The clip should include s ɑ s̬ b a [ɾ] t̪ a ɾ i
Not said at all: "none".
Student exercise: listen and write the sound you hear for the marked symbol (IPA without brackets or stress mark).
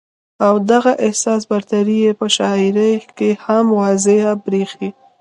ɾ